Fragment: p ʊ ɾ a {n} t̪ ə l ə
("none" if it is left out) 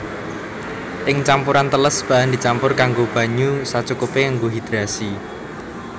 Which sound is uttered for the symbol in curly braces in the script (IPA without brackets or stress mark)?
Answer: n